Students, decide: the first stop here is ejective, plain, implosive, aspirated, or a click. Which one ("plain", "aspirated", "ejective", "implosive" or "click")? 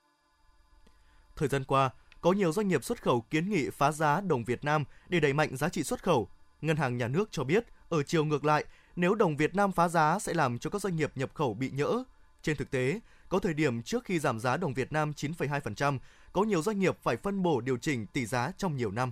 aspirated